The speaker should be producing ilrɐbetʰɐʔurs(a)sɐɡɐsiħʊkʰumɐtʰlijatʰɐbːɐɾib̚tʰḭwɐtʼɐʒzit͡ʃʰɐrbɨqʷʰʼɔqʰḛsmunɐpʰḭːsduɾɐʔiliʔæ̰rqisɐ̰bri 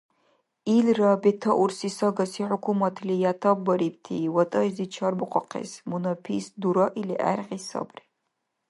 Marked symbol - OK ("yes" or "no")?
no